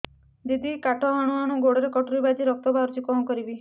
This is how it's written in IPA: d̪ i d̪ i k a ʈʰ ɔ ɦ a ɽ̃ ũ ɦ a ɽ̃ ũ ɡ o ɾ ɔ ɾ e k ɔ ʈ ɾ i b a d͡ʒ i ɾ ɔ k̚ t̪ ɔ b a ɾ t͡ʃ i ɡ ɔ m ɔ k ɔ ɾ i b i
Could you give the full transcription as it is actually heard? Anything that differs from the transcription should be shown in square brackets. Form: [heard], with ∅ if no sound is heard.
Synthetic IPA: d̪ i d̪ i k a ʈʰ ɔ ɦ a ɽ̃ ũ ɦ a ɽ̃ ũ ɡ o [ɽ] ɔ ɾ e k ɔ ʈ ɾ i b a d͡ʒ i ɾ ɔ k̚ t̪ ɔ b a ɾ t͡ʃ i [k] ɔ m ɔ k ɔ ɾ i b i